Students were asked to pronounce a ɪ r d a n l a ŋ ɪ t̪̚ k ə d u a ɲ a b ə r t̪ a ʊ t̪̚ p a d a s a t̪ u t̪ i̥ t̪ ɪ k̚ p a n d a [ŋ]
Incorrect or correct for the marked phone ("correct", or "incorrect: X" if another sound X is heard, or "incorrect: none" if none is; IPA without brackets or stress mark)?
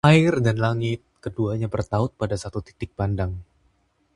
correct